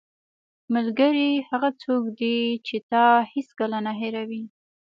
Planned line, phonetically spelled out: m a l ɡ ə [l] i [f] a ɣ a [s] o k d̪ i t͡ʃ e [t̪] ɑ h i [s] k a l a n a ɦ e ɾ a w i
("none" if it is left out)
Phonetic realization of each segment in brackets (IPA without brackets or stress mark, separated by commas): ɾ, h, t͡s, t̪, s